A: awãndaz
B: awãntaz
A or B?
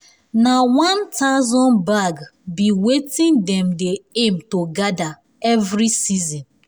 B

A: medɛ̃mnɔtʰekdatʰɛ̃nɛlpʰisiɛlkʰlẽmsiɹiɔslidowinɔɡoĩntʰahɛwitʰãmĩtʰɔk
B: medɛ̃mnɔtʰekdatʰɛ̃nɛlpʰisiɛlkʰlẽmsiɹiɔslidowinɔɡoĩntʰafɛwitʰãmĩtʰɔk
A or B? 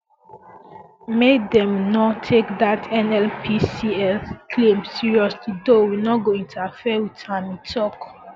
B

